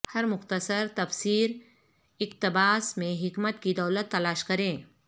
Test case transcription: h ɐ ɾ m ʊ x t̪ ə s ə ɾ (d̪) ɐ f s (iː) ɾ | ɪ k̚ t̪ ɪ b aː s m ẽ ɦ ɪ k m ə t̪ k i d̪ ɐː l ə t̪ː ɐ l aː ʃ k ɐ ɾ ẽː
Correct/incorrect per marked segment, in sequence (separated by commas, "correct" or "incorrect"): incorrect, correct